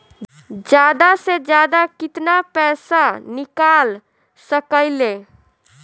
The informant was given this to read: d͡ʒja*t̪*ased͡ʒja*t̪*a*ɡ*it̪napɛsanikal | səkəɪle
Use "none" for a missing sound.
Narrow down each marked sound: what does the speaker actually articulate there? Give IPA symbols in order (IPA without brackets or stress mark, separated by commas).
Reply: d̪, d̪, k